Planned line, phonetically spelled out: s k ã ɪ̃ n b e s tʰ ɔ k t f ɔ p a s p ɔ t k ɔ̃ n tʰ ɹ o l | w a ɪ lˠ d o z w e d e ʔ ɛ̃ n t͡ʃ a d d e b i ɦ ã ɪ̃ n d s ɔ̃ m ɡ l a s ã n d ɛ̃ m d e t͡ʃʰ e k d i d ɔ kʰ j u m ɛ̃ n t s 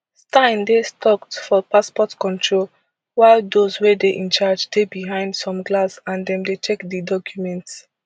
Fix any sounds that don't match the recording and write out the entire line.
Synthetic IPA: s t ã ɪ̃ n d e s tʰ ɔ k t f ɔ p a s p ɔ t k ɔ̃ n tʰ ɹ o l | w a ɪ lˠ d o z w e d e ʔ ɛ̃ n t͡ʃ a d͡ʒ d e b i ɦ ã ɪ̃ n d s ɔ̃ m ɡ l a s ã n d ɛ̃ m d e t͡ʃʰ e k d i d ɔ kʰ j u m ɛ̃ n t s